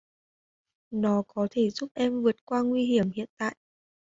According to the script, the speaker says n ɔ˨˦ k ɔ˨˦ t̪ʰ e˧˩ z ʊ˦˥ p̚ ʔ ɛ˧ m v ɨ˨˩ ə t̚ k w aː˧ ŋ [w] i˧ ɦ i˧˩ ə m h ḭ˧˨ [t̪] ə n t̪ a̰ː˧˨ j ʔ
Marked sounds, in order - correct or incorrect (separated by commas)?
correct, incorrect